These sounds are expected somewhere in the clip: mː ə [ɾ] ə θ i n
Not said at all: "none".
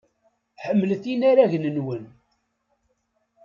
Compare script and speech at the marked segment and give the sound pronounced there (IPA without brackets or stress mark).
l